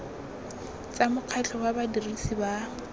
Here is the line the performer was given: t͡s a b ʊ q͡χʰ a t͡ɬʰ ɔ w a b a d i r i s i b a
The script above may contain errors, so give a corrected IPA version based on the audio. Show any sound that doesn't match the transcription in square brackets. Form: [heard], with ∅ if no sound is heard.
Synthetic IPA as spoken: t͡s a [m] ʊ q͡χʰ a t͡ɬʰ ɔ w a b a d i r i s i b a